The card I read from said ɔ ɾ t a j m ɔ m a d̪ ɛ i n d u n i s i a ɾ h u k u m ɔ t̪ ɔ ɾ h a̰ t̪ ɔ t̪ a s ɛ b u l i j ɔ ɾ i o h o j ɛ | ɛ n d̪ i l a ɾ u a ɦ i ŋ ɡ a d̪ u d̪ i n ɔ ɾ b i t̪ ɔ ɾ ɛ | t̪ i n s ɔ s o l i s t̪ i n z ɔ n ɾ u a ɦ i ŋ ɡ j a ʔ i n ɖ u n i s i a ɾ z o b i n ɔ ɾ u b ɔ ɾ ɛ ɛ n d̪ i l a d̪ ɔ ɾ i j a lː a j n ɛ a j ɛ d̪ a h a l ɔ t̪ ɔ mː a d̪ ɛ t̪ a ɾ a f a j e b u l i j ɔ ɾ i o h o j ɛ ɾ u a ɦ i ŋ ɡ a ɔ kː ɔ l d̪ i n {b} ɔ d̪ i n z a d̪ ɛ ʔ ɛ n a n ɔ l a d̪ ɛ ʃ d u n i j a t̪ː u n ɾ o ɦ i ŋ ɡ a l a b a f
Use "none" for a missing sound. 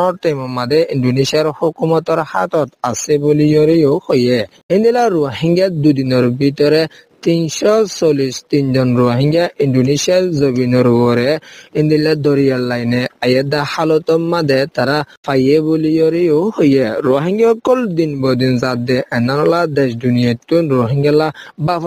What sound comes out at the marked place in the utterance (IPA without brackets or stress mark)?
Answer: b